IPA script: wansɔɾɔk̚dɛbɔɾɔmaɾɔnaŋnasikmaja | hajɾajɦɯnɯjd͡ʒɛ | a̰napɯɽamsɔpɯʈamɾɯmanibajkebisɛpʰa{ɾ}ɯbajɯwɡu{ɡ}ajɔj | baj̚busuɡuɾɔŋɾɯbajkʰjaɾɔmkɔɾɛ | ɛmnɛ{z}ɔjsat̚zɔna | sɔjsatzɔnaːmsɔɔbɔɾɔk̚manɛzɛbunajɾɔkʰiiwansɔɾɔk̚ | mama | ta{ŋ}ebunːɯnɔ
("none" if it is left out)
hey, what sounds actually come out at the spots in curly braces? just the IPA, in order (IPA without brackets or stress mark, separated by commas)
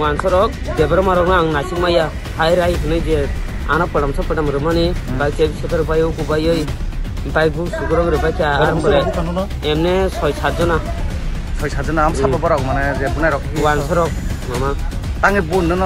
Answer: ɾ, b, s, ŋ